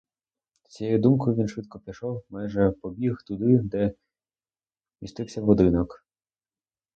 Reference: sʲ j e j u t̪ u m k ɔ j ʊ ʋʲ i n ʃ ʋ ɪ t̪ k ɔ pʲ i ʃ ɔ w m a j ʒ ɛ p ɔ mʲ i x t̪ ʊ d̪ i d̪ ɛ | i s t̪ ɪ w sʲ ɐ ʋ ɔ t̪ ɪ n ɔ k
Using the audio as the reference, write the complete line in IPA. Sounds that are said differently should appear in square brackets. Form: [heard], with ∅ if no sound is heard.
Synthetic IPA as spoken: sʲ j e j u [d̪] u m k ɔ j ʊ ʋʲ i n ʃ ʋ ɪ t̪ k ɔ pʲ i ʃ ɔ w m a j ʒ ɛ p ɔ [bʲ] i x t̪ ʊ d̪ [ɪ] d̪ ɛ | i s t̪ ɪ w sʲ ɐ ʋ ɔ [d̪] ɪ n ɔ k